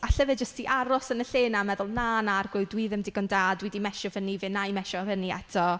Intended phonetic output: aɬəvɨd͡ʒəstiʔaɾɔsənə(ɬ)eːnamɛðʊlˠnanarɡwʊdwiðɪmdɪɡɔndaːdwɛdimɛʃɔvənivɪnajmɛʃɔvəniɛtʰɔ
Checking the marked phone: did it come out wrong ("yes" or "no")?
no